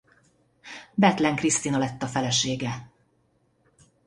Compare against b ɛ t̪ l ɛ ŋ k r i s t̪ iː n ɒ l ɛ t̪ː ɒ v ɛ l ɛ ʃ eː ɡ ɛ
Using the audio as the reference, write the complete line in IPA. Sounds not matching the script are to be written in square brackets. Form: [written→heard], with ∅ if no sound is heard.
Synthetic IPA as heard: b ɛ t̪ l ɛ ŋ k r i s t̪ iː n ɒ l ɛ t̪ː ɒ [v→f] ɛ l ɛ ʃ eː ɡ ɛ